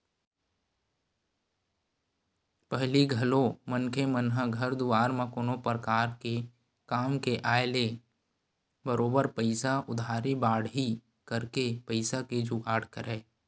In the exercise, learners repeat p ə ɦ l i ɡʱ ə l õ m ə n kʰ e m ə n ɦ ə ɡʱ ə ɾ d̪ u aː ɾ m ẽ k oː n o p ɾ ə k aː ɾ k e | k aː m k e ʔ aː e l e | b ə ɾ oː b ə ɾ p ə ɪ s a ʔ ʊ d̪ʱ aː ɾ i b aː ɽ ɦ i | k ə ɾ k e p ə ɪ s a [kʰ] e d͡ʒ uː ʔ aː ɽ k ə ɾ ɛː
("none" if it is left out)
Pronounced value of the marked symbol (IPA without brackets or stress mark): k